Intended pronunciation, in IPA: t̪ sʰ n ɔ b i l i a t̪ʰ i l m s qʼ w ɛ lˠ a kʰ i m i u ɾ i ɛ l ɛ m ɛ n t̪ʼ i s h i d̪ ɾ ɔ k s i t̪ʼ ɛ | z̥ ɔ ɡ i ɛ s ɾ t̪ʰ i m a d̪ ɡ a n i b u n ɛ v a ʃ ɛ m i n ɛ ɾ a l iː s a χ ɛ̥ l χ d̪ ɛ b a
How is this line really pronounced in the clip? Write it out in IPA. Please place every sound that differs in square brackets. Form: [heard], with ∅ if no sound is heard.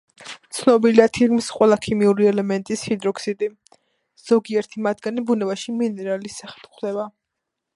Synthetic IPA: t̪ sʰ n ɔ b i l i a t̪ʰ i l m s qʼ w ɛ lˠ a kʰ i m i u ɾ i ɛ l ɛ m ɛ n t̪ʼ i s h i d̪ ɾ ɔ k s i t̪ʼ [i] | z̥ ɔ ɡ i ɛ [∅] ɾ t̪ʰ i m a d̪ ɡ a n i b u n ɛ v a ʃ [i] m i n ɛ ɾ a l [i] s a χ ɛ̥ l χ d̪ ɛ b a